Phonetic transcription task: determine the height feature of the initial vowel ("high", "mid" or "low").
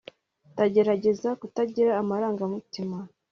low